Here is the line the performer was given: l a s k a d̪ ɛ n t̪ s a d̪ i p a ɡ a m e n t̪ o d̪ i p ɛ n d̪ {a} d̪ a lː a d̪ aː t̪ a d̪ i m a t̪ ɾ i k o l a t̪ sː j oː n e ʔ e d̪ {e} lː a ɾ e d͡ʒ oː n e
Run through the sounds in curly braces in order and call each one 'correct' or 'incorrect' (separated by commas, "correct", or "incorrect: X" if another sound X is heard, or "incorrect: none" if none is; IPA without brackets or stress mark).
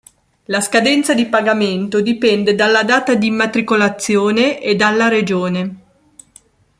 incorrect: e, incorrect: a